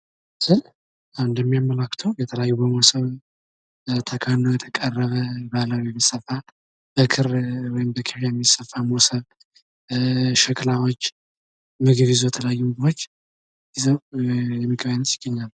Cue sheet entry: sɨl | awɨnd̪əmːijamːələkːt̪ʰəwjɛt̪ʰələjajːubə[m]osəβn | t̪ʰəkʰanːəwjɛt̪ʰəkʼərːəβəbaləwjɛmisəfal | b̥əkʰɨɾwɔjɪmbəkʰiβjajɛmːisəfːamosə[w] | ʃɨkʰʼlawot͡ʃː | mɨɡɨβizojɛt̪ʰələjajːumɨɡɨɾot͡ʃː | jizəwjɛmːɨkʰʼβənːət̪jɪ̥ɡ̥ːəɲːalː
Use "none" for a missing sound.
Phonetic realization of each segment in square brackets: m, β

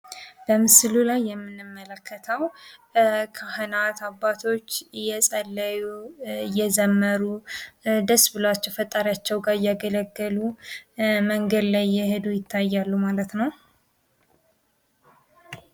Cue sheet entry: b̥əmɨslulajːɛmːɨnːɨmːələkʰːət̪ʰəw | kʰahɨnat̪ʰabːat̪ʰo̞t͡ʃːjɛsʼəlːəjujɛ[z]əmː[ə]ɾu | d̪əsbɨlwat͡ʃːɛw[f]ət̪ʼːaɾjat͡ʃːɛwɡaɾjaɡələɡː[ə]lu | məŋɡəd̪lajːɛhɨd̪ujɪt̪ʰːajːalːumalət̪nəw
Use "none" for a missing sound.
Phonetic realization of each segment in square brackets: z, ə, f, ə

